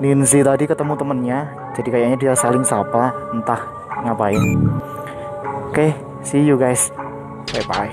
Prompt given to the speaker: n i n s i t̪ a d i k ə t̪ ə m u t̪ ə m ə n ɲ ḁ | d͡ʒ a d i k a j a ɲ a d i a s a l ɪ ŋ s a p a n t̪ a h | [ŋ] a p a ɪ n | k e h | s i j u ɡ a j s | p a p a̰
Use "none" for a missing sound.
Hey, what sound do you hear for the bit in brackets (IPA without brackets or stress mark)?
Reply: ŋ